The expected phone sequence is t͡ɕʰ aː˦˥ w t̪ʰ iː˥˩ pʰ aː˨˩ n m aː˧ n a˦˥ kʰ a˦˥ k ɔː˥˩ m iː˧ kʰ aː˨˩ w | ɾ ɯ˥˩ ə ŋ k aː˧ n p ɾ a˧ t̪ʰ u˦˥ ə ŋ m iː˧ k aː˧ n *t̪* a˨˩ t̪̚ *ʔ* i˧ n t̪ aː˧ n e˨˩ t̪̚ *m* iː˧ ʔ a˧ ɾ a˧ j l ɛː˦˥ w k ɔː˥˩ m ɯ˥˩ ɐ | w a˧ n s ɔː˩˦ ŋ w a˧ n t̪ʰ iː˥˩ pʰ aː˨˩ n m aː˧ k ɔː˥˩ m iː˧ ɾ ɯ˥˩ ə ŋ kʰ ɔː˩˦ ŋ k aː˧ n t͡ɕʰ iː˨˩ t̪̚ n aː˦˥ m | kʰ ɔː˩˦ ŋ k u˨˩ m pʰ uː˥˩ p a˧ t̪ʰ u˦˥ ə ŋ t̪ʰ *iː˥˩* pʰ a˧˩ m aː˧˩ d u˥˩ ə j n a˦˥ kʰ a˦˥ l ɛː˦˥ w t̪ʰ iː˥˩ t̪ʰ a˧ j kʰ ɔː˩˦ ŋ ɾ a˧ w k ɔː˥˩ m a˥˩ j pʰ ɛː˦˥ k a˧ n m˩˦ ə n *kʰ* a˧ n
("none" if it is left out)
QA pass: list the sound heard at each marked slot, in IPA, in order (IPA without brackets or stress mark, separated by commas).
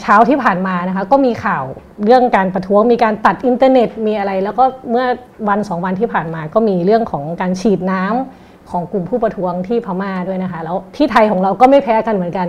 t̪, ʔ, m, iː˥˩, k